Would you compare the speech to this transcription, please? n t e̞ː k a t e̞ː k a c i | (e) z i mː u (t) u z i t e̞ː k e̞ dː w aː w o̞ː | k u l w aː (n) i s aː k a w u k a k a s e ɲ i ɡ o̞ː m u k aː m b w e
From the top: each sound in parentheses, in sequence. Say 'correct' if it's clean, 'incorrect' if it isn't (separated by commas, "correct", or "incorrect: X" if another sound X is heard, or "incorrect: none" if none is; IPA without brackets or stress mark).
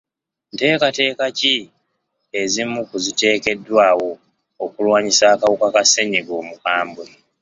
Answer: correct, incorrect: k, incorrect: ɲ